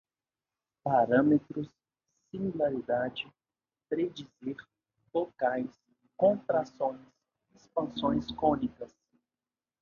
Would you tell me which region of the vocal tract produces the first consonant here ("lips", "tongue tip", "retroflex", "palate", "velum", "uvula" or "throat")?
lips